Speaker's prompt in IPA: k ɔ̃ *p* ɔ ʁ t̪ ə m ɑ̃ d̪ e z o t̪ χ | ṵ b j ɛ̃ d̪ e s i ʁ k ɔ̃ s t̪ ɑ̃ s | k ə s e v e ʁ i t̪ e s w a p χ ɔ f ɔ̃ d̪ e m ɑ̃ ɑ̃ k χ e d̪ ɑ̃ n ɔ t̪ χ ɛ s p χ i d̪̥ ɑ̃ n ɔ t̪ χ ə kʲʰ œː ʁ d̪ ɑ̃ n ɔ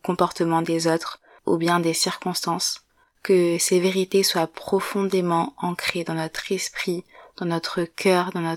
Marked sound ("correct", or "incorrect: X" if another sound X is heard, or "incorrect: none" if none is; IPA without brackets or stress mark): correct